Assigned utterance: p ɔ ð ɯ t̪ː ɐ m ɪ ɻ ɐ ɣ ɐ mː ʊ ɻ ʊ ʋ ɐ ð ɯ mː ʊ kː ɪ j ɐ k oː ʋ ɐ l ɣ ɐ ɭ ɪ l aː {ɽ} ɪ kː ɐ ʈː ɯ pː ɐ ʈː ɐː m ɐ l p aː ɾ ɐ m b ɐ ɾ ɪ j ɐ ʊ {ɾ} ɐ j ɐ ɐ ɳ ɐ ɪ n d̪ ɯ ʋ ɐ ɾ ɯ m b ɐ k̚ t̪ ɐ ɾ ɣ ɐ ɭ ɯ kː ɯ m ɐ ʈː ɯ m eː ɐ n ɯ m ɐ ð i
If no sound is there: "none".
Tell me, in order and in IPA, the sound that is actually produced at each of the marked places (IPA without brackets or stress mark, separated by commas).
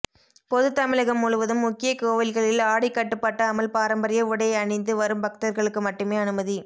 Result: ɽ, ɽ